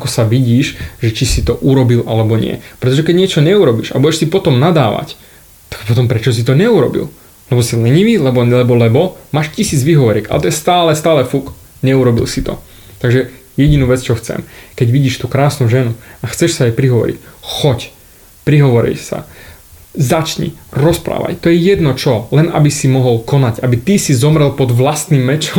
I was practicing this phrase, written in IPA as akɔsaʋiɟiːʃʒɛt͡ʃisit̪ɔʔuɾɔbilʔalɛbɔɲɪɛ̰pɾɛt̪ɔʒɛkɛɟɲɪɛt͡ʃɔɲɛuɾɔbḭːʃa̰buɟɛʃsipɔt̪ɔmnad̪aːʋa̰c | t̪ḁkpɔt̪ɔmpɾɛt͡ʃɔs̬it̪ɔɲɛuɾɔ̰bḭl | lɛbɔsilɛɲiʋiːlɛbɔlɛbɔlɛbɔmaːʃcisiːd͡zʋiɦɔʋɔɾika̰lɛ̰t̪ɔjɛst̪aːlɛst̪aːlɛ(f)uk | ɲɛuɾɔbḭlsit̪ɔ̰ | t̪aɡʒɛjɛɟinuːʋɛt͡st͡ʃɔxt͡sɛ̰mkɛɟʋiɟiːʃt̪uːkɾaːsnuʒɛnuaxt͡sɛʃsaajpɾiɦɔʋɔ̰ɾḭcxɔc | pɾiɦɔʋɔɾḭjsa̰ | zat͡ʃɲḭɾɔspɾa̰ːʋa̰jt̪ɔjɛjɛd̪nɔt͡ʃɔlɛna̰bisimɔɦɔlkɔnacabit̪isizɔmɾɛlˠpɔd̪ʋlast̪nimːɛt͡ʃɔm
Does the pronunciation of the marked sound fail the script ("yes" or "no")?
no